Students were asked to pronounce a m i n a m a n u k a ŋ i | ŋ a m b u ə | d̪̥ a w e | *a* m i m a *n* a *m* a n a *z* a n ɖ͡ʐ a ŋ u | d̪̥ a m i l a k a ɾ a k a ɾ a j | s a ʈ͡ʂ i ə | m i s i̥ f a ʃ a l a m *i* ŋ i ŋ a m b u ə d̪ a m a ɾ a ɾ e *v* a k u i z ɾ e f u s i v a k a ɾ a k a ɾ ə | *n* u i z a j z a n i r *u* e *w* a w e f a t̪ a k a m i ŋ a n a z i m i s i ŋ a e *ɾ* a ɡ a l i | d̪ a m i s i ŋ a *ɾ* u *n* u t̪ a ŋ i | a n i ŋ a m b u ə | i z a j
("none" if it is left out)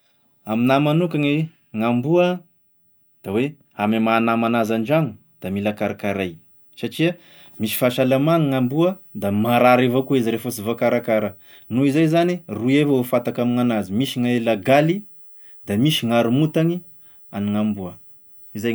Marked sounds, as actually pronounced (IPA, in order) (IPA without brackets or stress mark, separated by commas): a, n, m, z, a, v, n, u, v, l, ɾ, m